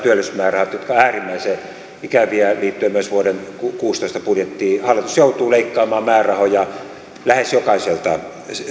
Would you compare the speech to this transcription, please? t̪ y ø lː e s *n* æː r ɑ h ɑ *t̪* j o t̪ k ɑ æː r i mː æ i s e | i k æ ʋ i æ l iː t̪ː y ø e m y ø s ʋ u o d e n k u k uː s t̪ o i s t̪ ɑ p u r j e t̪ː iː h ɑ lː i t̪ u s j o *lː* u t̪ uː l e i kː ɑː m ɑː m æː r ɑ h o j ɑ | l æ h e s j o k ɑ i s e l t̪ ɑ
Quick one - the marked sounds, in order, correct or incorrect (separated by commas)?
incorrect, correct, incorrect